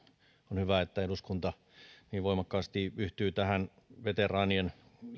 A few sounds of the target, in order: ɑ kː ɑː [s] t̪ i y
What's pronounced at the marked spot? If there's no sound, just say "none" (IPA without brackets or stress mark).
s